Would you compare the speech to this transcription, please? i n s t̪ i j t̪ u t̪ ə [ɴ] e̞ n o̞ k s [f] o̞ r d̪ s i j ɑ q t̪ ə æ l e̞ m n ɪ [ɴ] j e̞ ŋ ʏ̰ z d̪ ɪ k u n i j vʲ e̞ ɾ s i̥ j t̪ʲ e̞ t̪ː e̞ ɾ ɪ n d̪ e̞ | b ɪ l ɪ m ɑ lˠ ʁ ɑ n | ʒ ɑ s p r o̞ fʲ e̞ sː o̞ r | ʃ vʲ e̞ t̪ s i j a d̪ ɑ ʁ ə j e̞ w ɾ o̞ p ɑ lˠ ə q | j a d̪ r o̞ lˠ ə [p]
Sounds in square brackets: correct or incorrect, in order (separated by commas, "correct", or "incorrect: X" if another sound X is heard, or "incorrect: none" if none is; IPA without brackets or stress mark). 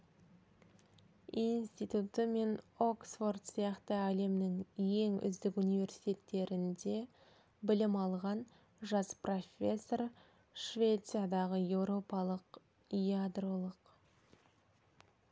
incorrect: m, correct, incorrect: ŋ, incorrect: q